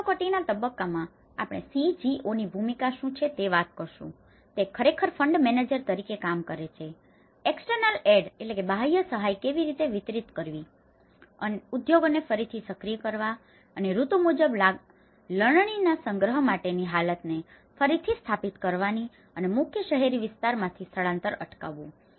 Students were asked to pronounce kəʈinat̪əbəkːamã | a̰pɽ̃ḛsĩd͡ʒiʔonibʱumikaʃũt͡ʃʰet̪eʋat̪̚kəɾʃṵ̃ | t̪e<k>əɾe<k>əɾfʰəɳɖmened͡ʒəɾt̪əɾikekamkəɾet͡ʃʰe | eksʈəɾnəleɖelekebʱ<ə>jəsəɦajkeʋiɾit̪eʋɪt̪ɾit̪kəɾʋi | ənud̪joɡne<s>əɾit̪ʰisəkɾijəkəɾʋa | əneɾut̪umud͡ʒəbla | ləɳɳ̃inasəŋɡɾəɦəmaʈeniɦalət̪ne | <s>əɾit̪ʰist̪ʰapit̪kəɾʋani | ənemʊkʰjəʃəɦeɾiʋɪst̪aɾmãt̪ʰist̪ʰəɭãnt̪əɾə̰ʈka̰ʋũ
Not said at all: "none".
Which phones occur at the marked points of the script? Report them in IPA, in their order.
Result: kʰ, kʰ, a, f, f

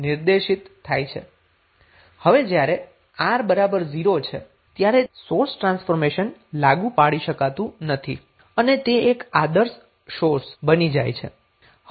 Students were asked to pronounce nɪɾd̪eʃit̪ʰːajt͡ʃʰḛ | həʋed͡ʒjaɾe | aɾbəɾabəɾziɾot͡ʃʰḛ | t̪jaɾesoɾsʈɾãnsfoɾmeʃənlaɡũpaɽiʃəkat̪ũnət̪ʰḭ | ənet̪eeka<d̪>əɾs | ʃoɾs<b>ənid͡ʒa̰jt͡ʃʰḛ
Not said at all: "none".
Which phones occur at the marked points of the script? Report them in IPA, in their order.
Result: d̪, b

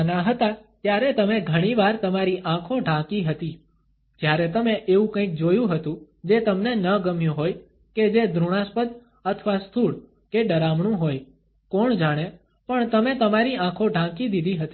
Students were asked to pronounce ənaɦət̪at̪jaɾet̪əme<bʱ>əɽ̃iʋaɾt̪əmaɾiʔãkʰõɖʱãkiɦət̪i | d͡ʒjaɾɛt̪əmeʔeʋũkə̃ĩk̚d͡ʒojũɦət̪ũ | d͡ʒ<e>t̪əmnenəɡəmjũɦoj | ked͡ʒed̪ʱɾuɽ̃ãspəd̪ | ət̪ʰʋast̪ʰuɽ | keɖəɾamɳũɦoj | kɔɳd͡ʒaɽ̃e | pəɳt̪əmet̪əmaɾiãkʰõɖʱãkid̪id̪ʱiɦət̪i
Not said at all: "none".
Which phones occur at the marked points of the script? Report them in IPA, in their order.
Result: ɡʱ, e

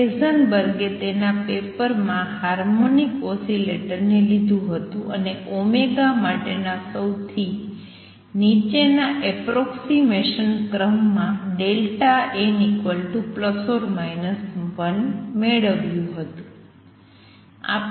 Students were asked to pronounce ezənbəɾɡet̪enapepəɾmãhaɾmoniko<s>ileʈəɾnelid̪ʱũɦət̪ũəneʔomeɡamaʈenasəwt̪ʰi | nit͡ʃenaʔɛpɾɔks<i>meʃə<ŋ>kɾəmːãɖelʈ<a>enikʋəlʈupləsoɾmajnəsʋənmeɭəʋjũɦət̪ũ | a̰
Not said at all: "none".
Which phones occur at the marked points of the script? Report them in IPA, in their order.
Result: s, i, n, a

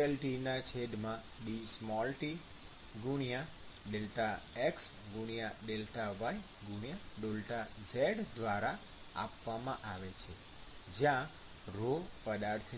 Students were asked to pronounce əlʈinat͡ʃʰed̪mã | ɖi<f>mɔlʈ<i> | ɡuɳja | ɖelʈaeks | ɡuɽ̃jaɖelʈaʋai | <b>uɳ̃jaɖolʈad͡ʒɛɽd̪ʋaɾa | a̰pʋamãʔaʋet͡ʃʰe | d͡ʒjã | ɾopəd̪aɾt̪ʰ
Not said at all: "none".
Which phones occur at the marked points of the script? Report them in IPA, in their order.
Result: s, i, ɡ

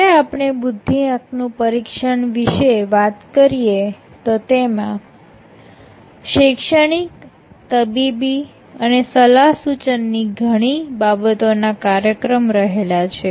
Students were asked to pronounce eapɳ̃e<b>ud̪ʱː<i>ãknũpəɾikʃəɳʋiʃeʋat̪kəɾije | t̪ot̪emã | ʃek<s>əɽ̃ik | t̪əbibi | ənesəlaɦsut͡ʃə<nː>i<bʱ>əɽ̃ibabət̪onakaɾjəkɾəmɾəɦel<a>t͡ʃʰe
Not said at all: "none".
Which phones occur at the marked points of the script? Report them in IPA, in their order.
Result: b, i, ʃ, nː, ɡʱ, a

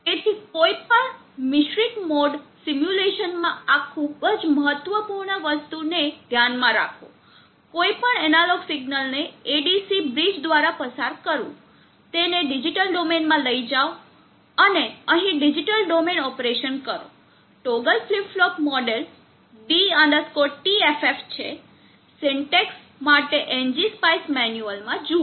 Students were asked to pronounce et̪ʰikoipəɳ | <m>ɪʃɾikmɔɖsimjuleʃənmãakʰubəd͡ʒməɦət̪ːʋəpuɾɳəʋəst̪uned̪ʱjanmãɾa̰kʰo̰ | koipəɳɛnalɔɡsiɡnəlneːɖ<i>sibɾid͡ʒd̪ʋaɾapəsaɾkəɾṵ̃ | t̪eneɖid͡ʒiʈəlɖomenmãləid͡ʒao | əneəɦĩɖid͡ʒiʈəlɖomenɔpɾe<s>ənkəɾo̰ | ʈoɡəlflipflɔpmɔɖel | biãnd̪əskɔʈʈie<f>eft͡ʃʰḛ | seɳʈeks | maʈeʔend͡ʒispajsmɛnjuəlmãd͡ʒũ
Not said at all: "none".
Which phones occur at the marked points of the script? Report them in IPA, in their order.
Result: m, i, ʃ, f

